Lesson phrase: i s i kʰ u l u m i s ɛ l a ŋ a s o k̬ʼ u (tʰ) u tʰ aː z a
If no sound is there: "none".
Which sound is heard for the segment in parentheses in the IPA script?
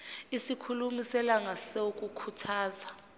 kʰ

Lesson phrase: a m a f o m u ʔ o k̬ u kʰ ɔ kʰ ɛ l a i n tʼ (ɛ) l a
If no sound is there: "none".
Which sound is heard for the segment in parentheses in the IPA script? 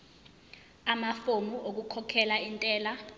ɛː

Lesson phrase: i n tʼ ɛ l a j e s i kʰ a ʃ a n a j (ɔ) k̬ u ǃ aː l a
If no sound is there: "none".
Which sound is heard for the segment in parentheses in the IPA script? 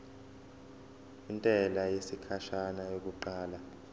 o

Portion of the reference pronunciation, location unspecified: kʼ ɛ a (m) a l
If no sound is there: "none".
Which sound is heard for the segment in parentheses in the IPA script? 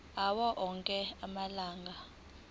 m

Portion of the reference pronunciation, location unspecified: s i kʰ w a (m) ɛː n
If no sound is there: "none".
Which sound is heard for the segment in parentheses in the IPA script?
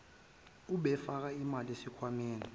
m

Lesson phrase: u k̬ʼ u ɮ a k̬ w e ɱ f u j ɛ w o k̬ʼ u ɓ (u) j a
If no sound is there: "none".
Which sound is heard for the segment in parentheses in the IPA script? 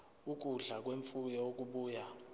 uː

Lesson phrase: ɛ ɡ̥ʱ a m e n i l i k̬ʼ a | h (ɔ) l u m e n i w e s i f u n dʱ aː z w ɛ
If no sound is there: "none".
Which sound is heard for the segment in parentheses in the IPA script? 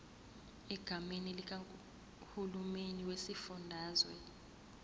u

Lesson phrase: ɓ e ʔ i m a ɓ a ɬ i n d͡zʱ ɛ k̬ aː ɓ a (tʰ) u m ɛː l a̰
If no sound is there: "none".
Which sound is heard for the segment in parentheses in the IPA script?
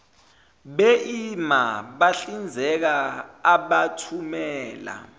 tʰ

